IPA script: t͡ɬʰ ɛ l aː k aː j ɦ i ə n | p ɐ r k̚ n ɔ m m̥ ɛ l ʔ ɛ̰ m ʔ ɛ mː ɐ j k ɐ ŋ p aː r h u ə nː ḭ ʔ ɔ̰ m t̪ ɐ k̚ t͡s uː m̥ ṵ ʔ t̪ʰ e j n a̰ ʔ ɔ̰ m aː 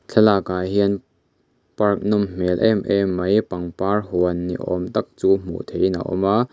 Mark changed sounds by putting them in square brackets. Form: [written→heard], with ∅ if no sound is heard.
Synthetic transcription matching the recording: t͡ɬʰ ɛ l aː k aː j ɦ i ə n | p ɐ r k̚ n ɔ m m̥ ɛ l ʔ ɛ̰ m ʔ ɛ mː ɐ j [k→p] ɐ ŋ p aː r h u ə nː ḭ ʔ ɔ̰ m t̪ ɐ k̚ t͡s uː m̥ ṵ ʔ t̪ʰ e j n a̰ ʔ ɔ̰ m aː